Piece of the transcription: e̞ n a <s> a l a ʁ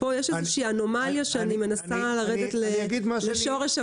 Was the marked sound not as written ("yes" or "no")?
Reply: no